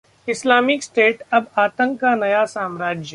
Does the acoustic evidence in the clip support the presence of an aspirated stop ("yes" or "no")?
no